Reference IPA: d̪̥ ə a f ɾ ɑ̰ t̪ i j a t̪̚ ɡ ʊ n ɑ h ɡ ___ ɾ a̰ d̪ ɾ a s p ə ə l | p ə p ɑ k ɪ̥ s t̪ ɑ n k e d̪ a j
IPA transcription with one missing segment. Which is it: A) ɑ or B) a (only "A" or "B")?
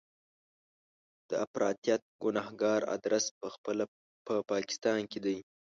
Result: A